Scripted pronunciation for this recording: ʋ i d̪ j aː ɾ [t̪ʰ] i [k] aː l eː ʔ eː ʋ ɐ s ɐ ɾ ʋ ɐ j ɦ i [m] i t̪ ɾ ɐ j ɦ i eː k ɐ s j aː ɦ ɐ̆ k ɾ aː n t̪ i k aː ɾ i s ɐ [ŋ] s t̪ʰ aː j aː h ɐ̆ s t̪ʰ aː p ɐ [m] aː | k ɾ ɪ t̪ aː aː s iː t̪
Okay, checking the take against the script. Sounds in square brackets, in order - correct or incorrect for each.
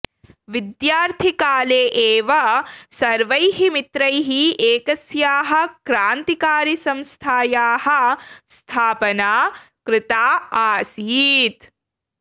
correct, correct, correct, incorrect: m, incorrect: n

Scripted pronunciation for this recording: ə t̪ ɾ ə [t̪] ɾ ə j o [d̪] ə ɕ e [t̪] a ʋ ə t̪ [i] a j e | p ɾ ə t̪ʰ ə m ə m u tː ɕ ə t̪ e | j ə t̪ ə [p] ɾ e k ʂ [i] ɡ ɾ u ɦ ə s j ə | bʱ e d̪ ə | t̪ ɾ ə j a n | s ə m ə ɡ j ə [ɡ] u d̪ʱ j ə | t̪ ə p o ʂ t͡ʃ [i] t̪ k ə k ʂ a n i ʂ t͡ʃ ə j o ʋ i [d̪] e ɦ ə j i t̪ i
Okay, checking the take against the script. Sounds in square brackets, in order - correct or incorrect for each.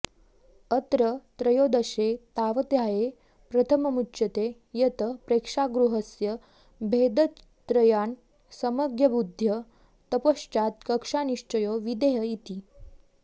correct, correct, correct, incorrect: j, correct, incorrect: a, incorrect: b, incorrect: a, correct

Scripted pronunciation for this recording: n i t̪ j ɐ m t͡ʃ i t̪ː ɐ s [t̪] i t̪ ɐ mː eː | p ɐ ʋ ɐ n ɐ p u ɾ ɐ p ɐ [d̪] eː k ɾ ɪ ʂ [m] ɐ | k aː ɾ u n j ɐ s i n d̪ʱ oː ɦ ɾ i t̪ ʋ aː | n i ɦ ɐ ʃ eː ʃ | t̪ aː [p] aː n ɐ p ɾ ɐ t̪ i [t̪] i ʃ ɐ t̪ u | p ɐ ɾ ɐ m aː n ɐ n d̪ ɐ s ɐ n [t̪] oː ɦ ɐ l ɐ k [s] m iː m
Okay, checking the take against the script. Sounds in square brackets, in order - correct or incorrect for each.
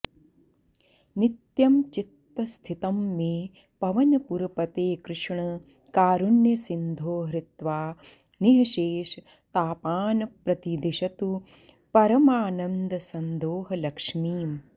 incorrect: t̪ʰ, incorrect: t̪, incorrect: ɳ, correct, incorrect: d̪, incorrect: d̪, incorrect: ʂ

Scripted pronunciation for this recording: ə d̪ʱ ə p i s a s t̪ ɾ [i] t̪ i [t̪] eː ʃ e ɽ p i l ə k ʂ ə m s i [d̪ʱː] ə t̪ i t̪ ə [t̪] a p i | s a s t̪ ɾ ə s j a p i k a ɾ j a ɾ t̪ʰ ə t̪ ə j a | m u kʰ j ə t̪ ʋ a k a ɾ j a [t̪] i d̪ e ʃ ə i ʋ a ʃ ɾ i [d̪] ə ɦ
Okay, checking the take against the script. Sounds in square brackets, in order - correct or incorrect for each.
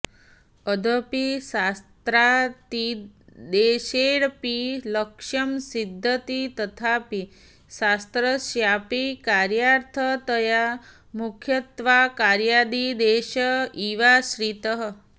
incorrect: a, incorrect: d̪, correct, incorrect: t̪ʰ, incorrect: d̪, incorrect: t̪

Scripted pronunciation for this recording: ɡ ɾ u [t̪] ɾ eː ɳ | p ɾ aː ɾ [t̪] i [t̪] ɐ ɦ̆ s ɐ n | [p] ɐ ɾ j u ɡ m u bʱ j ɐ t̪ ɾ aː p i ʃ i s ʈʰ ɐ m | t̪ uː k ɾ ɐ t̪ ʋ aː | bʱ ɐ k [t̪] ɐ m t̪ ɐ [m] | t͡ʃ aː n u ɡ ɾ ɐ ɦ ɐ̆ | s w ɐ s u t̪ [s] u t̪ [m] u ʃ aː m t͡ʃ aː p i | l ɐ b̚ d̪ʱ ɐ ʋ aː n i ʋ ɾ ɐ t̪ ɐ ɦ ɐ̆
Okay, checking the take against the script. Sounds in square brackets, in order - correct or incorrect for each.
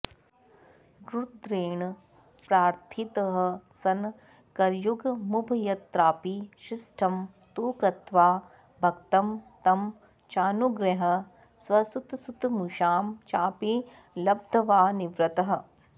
incorrect: d̪, incorrect: t̪ʰ, correct, incorrect: k, correct, correct, correct, correct

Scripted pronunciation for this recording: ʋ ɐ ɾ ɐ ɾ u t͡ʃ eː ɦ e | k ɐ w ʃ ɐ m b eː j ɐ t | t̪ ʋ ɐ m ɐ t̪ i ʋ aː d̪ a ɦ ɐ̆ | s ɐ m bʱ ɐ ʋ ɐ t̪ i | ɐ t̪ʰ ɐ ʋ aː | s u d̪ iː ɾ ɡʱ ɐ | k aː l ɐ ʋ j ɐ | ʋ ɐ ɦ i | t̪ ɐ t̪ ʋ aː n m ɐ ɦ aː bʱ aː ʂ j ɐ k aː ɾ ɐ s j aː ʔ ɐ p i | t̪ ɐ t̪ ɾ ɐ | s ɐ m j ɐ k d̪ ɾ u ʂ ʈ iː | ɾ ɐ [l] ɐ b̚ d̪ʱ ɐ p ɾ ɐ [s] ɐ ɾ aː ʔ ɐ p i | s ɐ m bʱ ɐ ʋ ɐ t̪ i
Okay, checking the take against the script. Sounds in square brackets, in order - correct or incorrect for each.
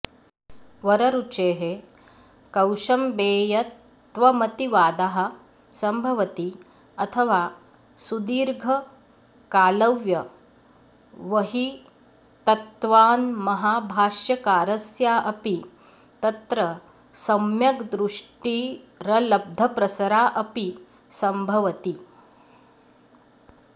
correct, correct

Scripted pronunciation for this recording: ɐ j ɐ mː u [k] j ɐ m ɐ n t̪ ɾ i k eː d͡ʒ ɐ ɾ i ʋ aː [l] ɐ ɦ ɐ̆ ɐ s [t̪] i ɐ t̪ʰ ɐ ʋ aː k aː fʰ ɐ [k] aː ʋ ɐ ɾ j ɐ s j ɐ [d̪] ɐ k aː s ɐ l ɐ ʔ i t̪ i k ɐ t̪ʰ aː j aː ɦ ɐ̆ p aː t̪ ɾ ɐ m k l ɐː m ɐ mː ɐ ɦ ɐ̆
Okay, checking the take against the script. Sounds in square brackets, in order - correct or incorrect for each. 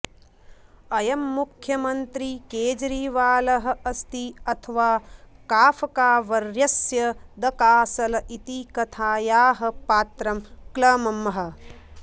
incorrect: kʰ, correct, correct, correct, correct

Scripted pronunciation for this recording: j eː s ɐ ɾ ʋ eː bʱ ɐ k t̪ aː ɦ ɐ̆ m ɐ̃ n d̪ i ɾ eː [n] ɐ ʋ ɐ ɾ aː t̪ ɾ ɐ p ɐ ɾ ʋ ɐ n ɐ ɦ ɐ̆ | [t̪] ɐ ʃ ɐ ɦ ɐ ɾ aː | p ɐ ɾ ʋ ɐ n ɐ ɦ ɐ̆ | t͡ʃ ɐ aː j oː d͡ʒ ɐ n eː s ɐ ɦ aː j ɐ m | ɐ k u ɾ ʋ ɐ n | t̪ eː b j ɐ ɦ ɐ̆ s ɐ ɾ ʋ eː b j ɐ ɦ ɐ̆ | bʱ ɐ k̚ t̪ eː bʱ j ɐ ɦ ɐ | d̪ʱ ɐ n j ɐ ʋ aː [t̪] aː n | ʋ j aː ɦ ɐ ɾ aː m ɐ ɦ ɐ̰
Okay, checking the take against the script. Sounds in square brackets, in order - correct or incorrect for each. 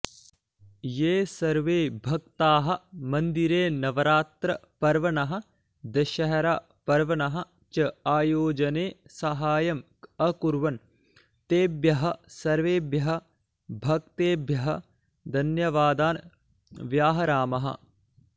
correct, incorrect: d̪, incorrect: d̪

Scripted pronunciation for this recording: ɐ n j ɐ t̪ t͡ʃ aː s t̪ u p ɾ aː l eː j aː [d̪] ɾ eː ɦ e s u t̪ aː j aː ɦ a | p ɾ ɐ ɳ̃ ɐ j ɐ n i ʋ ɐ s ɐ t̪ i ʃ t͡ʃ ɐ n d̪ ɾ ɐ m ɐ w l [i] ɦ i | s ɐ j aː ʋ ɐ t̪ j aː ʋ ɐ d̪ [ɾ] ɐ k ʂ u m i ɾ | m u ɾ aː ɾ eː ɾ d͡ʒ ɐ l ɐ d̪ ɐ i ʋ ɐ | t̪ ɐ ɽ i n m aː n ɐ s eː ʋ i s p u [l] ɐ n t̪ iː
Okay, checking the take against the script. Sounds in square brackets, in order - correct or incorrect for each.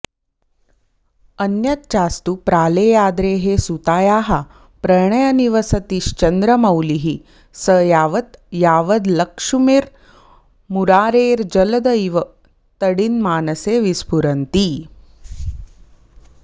correct, correct, incorrect: l, incorrect: ɾ

